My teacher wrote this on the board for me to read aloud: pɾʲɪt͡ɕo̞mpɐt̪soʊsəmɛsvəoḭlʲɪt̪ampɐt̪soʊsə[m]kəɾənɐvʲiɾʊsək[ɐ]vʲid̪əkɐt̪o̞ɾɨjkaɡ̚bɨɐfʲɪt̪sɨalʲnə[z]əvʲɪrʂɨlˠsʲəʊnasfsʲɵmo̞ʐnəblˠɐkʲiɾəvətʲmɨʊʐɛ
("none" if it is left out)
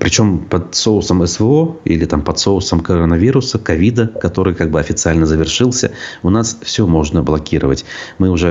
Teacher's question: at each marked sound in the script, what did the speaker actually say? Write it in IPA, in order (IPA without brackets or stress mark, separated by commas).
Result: m, ɐ, z